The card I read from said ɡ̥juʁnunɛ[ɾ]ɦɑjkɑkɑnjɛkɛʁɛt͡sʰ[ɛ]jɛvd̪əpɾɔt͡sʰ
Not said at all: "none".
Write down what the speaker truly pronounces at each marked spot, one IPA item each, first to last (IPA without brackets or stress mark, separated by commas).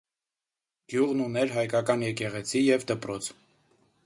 ɾ, i